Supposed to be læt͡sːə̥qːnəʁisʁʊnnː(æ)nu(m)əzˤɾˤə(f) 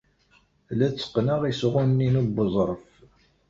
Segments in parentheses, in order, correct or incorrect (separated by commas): incorrect, incorrect, correct